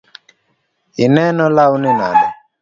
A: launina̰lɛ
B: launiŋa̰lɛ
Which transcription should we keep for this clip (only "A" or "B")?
A